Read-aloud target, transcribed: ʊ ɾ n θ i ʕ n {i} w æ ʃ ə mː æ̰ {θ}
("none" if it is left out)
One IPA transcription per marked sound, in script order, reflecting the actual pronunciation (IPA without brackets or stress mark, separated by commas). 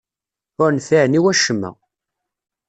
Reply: i, none